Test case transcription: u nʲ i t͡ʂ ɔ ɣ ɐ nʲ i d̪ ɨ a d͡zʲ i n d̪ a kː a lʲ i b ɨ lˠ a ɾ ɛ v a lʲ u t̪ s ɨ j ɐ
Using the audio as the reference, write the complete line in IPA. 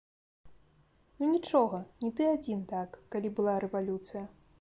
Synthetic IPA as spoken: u nʲ i t͡ʂ ɔ ɣ ɐ nʲ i t̪ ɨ a d͡zʲ i n t̪ a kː a lʲ i b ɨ lˠ a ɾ ɛ v a lʲ u t̪ s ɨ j ɐ